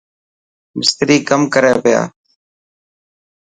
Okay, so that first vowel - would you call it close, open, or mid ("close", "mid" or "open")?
close